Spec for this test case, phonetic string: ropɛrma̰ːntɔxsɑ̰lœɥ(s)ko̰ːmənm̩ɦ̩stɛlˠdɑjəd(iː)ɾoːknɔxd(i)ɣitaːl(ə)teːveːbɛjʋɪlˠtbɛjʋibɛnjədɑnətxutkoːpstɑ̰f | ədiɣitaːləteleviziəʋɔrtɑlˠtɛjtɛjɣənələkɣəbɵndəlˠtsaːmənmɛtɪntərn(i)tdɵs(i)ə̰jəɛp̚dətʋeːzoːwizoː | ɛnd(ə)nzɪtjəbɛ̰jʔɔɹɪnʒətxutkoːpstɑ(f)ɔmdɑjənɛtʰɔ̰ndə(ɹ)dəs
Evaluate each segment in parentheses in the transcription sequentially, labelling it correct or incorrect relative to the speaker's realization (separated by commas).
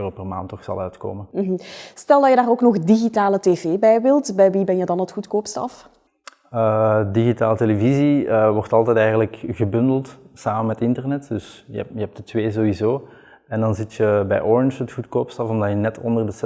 incorrect, incorrect, correct, correct, incorrect, incorrect, incorrect, correct, incorrect